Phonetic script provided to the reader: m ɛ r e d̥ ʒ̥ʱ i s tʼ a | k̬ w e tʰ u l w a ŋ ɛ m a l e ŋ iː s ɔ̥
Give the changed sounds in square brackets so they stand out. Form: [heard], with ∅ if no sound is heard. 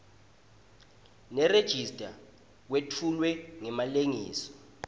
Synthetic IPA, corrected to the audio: [n] ɛ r e d̥ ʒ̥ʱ i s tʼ a | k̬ w e tʰ u l w [ɛ] ŋ ɛ m a l e ŋ iː s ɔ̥